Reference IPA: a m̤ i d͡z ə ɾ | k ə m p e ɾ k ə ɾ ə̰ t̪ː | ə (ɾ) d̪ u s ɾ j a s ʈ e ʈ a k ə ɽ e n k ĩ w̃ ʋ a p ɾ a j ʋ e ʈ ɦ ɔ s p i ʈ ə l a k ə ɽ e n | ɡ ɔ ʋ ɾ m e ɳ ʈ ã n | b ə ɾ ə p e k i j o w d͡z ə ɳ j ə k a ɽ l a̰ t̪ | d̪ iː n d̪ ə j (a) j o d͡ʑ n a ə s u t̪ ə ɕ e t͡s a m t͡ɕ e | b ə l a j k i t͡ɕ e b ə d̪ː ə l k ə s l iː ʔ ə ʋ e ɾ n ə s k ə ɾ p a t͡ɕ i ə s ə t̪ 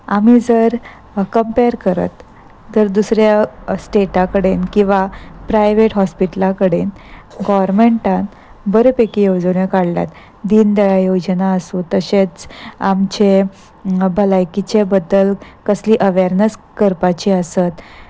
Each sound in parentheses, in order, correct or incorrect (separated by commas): correct, correct